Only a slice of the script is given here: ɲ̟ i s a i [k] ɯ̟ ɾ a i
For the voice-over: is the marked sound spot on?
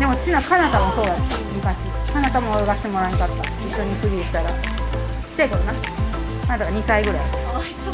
no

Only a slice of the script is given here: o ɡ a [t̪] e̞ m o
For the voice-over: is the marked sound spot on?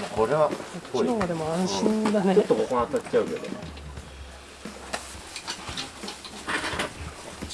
no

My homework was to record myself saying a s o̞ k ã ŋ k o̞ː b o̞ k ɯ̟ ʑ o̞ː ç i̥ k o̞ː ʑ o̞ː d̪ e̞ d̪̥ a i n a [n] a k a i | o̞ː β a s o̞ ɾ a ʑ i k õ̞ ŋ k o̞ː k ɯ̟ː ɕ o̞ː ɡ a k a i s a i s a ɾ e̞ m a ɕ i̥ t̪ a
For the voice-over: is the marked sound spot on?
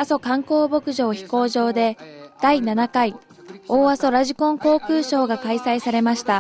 yes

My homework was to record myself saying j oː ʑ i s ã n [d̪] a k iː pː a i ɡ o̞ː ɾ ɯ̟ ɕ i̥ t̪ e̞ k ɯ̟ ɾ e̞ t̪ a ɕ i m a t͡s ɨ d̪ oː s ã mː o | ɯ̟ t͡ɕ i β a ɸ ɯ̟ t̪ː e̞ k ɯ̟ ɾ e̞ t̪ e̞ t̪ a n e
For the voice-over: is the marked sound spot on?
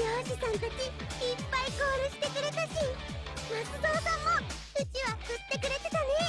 no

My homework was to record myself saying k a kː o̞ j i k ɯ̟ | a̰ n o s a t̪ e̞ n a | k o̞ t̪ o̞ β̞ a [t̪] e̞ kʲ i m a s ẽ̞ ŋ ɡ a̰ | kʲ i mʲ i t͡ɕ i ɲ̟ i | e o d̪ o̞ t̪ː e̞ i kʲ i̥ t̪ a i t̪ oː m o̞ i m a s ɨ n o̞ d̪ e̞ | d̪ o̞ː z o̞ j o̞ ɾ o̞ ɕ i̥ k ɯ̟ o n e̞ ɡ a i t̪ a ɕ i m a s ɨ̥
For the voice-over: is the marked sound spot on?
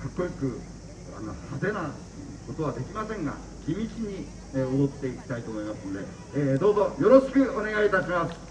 no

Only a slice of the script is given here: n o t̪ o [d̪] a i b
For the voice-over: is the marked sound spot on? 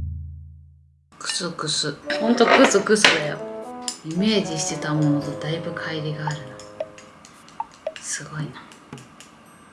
yes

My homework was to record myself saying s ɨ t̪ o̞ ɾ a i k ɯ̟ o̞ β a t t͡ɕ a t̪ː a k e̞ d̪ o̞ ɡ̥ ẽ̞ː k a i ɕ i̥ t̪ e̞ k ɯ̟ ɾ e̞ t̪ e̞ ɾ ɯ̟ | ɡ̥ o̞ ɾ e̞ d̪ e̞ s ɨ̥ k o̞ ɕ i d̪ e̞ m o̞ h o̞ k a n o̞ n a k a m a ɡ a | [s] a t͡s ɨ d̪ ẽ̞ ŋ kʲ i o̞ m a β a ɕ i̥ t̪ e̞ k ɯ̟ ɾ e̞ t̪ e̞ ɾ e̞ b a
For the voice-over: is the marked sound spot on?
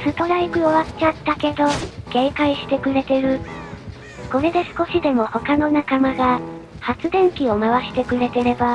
no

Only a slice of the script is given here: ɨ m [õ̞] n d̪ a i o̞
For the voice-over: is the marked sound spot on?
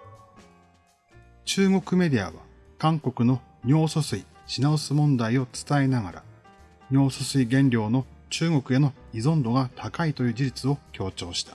yes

